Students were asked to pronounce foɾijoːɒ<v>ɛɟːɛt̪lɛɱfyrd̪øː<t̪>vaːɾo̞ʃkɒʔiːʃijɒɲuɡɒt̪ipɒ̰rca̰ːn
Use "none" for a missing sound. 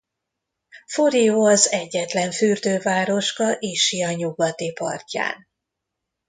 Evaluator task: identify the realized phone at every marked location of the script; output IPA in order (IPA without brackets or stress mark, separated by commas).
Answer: z, none